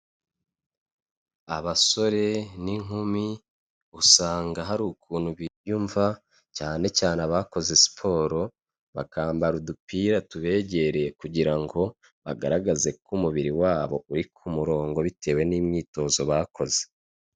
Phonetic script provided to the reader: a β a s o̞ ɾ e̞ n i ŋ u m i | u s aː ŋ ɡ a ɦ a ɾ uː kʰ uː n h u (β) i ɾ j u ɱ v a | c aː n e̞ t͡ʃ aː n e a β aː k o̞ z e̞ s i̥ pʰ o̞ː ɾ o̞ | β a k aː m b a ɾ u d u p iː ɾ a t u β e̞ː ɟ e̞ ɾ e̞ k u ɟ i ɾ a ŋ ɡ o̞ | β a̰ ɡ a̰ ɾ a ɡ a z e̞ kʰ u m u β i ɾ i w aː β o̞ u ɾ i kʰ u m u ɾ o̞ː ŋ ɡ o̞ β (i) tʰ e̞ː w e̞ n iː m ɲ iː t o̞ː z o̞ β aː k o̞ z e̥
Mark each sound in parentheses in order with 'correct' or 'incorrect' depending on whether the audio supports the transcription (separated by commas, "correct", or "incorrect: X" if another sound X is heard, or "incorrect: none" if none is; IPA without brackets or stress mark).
correct, correct